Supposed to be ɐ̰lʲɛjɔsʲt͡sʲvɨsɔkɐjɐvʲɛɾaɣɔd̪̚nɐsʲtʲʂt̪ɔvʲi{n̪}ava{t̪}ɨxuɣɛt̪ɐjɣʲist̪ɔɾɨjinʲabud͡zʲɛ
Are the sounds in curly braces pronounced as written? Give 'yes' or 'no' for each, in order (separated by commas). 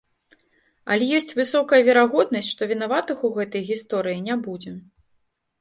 yes, yes